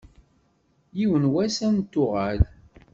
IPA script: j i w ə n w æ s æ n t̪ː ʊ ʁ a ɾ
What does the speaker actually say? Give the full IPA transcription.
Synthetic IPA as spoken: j i w ə n w æ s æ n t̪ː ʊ ʁ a l